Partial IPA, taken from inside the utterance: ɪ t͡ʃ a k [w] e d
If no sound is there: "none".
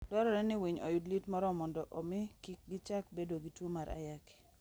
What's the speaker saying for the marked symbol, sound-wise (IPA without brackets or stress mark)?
b